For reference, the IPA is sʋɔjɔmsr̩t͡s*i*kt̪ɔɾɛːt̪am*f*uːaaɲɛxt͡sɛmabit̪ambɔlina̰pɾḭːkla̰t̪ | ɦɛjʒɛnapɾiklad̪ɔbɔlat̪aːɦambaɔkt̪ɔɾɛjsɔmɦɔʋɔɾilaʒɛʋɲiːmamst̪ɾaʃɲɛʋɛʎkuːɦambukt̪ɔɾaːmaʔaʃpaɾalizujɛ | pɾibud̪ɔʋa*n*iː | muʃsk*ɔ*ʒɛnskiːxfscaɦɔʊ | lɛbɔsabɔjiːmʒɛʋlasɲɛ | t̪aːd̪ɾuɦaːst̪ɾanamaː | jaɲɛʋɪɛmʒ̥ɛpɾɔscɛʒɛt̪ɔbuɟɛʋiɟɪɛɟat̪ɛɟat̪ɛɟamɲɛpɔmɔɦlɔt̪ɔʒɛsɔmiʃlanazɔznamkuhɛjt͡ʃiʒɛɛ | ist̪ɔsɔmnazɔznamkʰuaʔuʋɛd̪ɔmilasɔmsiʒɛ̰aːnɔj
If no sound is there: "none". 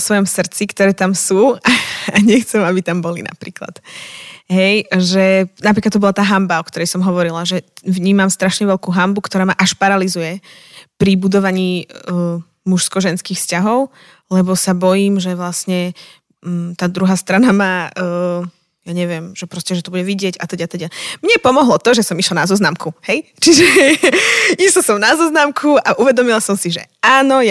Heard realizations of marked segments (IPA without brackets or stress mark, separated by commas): i, s, ɲ, ɔ